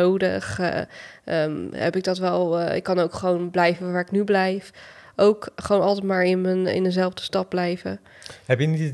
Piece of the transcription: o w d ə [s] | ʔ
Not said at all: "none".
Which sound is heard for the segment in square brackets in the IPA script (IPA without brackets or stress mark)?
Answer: χ